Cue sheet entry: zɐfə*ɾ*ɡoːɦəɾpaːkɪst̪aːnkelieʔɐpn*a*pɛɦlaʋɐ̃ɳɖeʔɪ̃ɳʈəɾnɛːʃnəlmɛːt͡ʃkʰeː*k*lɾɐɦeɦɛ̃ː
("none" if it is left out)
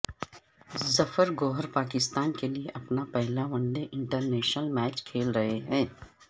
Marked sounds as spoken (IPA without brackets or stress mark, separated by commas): ɾ, a, none